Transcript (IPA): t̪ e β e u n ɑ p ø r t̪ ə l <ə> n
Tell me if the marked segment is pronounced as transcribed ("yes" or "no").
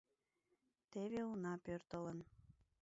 yes